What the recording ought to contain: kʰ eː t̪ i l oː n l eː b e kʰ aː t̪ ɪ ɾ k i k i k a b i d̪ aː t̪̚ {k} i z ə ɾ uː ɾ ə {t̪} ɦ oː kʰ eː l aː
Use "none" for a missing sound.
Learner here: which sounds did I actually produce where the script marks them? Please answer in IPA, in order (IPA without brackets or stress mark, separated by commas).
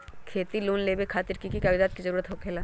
k, t̪